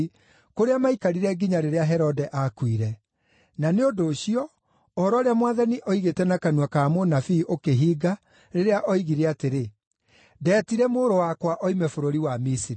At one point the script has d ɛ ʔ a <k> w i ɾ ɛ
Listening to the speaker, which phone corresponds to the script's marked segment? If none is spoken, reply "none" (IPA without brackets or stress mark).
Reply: k